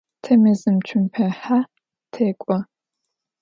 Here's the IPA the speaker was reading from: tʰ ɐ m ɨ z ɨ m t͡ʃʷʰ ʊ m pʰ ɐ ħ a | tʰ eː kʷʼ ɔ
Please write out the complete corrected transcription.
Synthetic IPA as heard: tʰ ɐ m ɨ z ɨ m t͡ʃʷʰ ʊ m pʰ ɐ ħ a | tʰ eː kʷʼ ɔ